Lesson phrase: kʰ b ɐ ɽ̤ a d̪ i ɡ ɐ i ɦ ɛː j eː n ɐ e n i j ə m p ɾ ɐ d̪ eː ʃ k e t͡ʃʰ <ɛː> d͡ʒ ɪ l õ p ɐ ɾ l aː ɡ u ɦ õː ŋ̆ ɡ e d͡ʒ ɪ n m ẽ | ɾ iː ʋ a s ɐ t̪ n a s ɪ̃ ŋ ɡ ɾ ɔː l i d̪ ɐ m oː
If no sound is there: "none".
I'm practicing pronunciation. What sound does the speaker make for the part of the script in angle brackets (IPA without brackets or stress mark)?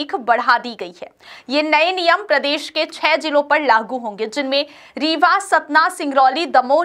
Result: ɛː